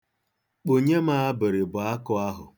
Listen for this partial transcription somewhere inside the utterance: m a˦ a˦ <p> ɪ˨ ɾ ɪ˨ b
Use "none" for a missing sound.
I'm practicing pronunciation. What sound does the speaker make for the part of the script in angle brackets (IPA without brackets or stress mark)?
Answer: b